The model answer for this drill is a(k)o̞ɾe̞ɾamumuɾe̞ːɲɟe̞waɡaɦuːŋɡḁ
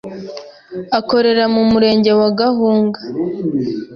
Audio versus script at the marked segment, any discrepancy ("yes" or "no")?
no